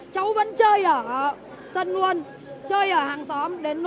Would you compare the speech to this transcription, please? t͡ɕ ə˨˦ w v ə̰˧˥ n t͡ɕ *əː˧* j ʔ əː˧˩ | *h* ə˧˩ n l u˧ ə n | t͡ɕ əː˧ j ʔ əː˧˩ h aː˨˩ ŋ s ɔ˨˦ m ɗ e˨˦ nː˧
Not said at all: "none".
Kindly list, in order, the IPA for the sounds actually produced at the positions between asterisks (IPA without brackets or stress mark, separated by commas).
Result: əː˧, s